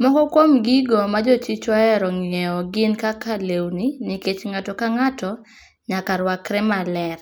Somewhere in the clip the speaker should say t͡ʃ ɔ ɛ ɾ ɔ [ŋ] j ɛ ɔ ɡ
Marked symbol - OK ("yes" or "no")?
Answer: yes